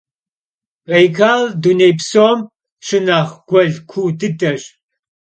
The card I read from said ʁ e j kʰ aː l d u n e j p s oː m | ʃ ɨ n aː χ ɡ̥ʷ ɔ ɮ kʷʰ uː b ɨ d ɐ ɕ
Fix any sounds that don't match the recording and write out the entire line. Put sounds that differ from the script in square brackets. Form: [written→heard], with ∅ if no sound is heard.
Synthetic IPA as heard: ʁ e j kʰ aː l d u n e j p s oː m | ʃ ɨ n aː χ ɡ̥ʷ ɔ ɮ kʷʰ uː [b→d] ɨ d ɐ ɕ